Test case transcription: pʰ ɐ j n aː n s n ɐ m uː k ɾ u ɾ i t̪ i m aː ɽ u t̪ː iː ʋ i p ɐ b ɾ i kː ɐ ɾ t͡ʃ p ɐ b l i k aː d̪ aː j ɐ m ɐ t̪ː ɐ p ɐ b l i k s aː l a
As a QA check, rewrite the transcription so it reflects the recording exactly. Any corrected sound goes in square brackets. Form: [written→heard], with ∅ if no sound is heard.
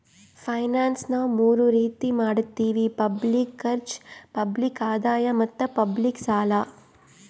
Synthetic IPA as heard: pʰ ɐ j n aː n s n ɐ m uː [k→∅] ɾ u ɾ [i→iː] t̪ i m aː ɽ u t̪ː iː ʋ i p ɐ b [ɾ→l] i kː ɐ ɾ t͡ʃ p ɐ b l i k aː d̪ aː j ɐ m ɐ t̪ː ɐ p ɐ b l i k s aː l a